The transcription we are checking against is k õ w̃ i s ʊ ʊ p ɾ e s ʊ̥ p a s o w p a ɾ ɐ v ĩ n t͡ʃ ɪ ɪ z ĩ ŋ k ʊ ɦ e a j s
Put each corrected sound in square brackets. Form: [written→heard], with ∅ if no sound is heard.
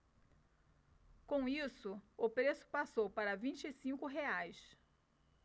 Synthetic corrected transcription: k õ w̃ i s ʊ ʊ p ɾ e s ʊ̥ p a s o w p a ɾ ɐ v ĩ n t͡ʃ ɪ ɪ [z→s] ĩ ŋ k ʊ ɦ e a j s